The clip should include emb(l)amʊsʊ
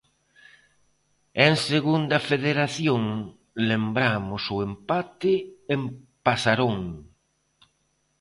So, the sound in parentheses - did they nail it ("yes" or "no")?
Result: no